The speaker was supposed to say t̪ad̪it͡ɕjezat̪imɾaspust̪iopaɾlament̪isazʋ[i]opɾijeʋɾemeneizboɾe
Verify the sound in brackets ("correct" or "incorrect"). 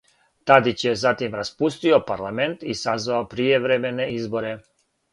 incorrect